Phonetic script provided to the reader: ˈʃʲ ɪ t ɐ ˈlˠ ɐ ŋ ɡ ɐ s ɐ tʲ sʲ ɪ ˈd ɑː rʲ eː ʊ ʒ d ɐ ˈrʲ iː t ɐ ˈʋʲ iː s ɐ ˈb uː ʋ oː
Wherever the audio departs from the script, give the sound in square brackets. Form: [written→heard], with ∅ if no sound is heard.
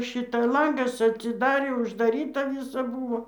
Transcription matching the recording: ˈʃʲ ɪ t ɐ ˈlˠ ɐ ŋ ɡ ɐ s ɐ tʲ sʲ ɪ ˈd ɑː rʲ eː ʊ ʒ d ɐ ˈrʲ iː t ɐ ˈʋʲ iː s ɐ ˈb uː ʋ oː